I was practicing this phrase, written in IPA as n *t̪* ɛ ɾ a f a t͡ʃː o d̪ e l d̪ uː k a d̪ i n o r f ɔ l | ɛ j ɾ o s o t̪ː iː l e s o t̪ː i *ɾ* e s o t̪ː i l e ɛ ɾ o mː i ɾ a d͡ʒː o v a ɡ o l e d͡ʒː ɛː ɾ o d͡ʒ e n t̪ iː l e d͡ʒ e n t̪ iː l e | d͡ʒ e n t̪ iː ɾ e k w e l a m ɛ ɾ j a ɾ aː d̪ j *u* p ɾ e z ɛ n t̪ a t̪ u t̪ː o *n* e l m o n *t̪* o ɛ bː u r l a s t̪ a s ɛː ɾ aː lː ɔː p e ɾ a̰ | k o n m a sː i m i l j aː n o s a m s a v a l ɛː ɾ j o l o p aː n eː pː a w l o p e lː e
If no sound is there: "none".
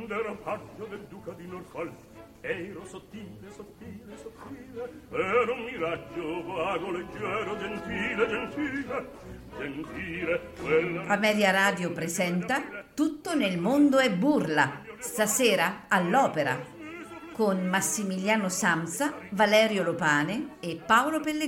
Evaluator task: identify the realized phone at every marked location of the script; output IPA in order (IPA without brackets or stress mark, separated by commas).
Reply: d̪, l, o, n, d̪